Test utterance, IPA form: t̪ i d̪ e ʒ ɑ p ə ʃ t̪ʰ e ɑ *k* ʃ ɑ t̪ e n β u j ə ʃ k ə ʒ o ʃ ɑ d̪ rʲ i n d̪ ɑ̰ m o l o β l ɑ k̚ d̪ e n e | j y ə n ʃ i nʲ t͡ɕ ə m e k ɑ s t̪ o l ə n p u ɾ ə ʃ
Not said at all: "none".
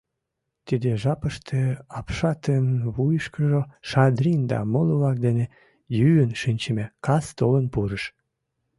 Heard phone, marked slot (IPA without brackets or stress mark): p